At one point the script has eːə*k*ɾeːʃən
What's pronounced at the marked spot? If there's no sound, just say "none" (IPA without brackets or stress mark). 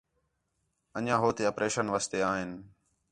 p